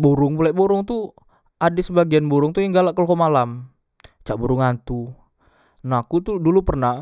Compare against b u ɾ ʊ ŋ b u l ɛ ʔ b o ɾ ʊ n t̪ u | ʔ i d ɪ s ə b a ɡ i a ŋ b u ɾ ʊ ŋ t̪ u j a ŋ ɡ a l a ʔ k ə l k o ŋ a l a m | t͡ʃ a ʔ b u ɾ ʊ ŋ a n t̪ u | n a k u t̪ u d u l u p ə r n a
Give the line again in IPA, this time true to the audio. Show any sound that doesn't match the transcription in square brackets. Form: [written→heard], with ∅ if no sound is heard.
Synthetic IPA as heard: b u ɾ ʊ ŋ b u l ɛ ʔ b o ɾ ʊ [n→ŋ] t̪ u | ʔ [i→a] d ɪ s ə b a ɡ i a [ŋ→n] b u ɾ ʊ ŋ t̪ u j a ŋ ɡ a l a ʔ k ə l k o [ŋ→m] a l a m | t͡ʃ a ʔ b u ɾ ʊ ŋ a n t̪ u | n a k u t̪ u d u l u p ə r n a